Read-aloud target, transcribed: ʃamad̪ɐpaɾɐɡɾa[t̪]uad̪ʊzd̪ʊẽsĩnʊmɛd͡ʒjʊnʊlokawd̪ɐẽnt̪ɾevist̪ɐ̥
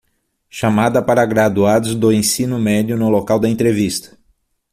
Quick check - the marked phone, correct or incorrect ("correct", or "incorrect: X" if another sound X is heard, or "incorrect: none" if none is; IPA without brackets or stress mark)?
incorrect: d̪